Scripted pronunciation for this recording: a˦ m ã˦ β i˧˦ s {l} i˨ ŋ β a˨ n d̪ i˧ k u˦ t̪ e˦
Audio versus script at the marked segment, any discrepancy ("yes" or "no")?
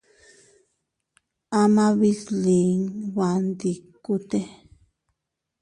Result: no